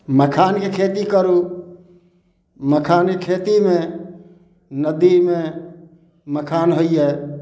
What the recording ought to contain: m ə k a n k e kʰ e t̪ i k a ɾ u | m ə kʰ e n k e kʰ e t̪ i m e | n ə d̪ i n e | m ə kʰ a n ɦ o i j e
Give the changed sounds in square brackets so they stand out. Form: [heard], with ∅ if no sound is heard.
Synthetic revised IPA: m ə [kʰ] a n k e kʰ e t̪ i k [ə] ɾ u | m ə kʰ [a] n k e kʰ e t̪ i m e | n ə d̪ i [m] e | m ə kʰ a n ɦ o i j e